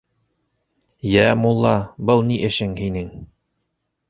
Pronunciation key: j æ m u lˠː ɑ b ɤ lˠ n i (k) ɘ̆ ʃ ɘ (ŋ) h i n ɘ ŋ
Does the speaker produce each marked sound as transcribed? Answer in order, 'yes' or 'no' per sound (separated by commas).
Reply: no, yes